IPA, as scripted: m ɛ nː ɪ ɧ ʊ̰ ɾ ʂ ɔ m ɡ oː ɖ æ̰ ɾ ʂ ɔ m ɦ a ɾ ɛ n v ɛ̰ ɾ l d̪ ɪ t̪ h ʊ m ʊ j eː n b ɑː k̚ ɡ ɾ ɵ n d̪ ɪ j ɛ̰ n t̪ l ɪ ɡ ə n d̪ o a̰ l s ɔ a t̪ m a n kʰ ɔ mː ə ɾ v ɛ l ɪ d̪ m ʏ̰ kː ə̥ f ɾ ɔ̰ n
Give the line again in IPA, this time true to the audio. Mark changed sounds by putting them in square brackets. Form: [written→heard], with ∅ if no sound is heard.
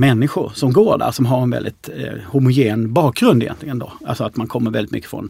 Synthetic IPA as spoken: m ɛ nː ɪ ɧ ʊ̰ ɾ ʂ ɔ m ɡ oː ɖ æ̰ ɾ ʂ ɔ m ɦ a ɾ ɛ n v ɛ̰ [ɾ→∅] l d̪ ɪ t̪ h ʊ m ʊ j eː n b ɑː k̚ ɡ ɾ ɵ n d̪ ɪ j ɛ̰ n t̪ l ɪ ɡ ə n d̪ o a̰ l s ɔ a t̪ m a n kʰ ɔ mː ə ɾ v ɛ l ɪ [d̪→t̪] m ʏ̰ kː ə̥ f ɾ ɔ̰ n